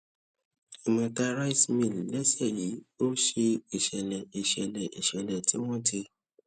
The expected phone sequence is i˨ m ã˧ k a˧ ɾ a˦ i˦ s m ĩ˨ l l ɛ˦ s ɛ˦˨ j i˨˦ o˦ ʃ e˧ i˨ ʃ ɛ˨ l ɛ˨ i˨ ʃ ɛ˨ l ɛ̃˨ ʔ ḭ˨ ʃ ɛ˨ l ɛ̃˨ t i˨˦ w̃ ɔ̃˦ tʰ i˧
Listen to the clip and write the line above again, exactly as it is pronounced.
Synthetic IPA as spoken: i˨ m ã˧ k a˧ ɾ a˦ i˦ s m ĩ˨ l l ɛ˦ s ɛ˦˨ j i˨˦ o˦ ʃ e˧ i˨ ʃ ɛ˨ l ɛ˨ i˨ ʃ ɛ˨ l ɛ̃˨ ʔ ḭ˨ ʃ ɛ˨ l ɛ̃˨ t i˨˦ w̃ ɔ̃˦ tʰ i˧